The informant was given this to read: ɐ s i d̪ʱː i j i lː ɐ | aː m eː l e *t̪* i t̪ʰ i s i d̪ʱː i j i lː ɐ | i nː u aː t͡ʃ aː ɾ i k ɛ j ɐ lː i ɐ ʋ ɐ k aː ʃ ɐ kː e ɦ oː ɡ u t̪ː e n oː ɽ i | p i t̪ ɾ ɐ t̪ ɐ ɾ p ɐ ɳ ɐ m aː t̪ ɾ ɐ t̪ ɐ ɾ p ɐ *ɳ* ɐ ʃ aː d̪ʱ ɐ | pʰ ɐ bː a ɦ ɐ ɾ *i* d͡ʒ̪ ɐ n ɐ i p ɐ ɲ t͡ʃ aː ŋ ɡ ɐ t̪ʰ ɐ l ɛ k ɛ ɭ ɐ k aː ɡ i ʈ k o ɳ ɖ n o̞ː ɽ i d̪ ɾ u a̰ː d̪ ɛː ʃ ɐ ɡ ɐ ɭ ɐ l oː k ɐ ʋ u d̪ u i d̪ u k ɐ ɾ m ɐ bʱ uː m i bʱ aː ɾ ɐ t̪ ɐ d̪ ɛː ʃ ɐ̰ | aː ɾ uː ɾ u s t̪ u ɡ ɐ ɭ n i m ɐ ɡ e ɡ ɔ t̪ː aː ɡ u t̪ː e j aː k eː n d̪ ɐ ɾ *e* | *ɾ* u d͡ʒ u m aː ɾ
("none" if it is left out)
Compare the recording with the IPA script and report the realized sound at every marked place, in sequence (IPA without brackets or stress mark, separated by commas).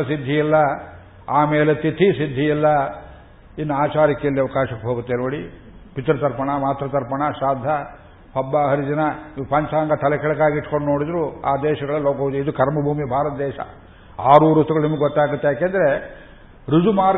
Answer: t̪, ɳ, i, e, ɾ